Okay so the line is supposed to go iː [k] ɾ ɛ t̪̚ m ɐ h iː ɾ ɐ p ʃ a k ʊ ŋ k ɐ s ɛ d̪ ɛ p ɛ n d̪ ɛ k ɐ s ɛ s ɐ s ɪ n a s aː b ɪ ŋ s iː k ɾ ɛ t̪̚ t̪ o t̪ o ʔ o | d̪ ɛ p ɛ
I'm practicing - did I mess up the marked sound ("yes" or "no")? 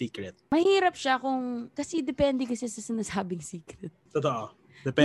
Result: no